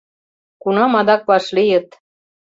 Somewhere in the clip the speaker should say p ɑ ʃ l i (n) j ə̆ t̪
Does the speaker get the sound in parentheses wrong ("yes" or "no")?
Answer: yes